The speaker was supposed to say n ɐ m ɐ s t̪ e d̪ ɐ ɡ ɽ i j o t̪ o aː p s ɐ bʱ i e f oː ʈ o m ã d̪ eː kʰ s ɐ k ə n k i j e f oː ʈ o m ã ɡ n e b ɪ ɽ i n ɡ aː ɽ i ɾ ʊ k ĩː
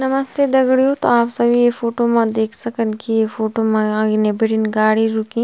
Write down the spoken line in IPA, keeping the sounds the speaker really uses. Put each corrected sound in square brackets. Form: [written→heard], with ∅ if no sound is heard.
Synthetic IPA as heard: n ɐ m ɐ s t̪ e d̪ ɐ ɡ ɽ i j o t̪ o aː p s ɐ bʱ i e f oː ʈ o m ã d̪ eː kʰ s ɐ k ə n k i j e f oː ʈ o m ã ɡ n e b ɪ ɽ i n ɡ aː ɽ i ɾ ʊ k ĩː